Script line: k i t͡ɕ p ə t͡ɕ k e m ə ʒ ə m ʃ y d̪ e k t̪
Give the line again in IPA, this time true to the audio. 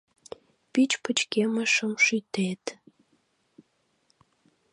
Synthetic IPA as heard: p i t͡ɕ p ə t͡ɕ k e m ə ʃ ə m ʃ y t̪ e t̪